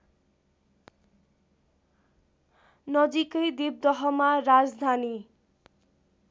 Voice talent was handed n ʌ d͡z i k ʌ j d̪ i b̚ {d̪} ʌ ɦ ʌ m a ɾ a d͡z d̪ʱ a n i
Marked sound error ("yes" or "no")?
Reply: no